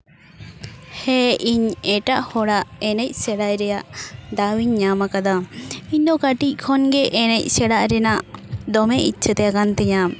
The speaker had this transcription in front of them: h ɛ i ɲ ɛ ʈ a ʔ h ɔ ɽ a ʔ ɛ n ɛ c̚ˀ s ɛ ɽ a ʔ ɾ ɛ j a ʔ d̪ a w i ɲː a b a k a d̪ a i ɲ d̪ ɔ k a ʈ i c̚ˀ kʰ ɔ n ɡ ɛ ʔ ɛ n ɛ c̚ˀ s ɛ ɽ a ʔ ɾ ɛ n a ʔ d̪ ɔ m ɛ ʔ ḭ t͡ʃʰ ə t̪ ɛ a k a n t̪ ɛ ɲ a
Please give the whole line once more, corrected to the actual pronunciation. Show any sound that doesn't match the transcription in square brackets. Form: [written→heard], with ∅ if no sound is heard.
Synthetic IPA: h ɛ i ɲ ɛ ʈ a ʔ h ɔ ɽ a ʔ ɛ n ɛ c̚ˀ s ɛ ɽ a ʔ ɾ ɛ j a ʔ d̪ a w i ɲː a [b→m] a k a d̪ a i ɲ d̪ ɔ k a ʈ i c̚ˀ kʰ ɔ n ɡ ɛ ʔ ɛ n ɛ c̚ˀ s ɛ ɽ a ʔ ɾ ɛ n a ʔ d̪ ɔ m ɛ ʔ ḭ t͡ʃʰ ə t̪ ɛ a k a n t̪ ɛ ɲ a